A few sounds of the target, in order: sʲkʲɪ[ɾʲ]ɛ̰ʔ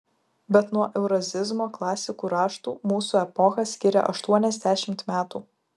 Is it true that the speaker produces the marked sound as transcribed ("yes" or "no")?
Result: yes